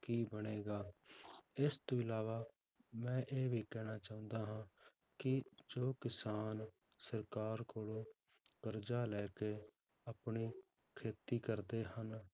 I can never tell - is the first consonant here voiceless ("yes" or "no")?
yes